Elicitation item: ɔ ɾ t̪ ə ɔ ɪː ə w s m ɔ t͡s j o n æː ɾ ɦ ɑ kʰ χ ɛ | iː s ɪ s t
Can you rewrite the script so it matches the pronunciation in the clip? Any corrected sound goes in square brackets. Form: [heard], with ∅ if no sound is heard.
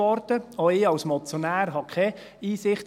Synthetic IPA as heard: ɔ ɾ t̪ ə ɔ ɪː [ɑ] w s m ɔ t͡s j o n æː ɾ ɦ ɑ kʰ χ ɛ | iː s ɪ [χ] t

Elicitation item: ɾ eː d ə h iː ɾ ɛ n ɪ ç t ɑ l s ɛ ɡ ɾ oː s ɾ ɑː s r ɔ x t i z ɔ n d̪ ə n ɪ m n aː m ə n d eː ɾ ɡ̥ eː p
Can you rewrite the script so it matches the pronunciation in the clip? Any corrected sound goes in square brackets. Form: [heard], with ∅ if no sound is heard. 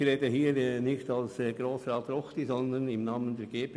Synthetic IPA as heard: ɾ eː d ə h iː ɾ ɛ n ɪ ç t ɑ l s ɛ ɡ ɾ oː s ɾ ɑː [t] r ɔ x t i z ɔ n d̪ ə n ɪ m n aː m ə n d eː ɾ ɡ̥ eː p

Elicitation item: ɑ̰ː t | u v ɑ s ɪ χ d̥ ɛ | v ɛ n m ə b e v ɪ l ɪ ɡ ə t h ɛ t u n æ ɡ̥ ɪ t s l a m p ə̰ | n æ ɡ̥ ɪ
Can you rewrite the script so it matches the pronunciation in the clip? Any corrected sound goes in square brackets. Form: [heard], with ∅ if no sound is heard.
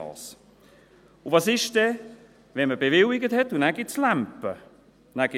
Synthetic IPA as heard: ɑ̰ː [s] | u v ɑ s ɪ [ʃ] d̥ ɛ | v ɛ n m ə b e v ɪ l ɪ ɡ ə t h ɛ t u n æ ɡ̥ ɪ t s l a m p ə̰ | n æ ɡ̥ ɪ

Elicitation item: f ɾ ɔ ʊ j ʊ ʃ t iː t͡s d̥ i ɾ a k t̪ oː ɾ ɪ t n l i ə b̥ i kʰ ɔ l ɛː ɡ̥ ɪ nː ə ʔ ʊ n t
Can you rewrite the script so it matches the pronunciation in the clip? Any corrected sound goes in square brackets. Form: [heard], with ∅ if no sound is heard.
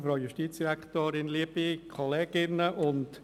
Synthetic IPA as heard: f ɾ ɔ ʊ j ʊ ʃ t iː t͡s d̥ i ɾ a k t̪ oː ɾ ɪ [∅] n l i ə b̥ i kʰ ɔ l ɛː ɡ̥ ɪ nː ə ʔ ʊ n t

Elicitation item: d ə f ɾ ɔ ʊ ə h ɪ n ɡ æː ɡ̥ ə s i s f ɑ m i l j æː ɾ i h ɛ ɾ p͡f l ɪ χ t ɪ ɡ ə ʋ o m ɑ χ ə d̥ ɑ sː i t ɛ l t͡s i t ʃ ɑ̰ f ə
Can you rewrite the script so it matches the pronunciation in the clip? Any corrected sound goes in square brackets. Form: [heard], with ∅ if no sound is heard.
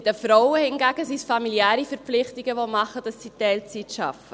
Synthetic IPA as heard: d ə f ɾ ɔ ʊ ə h ɪ n ɡ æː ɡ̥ ə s i s f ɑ m i l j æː ɾ i [f] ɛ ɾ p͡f l ɪ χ t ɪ ɡ ə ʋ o m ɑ χ ə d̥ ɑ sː i t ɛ l t͡s i t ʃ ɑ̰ f ə

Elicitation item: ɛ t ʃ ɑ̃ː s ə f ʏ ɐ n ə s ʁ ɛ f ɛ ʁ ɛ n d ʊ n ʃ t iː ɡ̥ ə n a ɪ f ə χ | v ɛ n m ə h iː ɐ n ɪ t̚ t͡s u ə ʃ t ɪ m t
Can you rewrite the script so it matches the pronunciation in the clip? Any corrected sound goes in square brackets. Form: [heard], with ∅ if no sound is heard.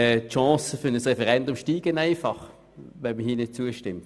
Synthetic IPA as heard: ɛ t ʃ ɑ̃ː s ə f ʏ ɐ n ə s ʁ ɛ f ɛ ʁ ɛ n d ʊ [m] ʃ t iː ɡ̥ ə n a ɪ f [ɑ] χ | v ɛ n m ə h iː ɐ n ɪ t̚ t͡s u ə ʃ t ɪ m t

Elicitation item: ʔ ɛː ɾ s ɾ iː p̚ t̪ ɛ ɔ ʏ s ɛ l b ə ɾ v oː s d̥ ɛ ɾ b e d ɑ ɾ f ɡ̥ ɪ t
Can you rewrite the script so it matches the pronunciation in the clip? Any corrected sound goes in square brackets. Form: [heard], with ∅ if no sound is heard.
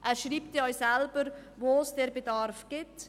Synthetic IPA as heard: ʔ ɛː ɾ [ʃ] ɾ iː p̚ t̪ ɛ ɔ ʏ s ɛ l b ə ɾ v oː s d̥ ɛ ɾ b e d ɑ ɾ f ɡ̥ ɪ t

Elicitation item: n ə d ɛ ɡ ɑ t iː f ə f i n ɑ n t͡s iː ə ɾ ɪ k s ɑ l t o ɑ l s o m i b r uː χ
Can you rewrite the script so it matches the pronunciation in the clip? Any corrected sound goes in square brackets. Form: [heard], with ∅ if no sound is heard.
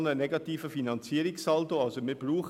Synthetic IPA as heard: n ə [n] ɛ ɡ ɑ t iː f ə f i n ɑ n t͡s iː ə ɾ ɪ k s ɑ l t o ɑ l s o m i b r uː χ

